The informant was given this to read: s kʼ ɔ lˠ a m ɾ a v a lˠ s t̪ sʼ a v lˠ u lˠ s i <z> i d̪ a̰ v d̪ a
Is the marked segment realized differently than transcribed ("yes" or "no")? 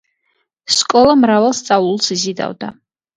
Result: no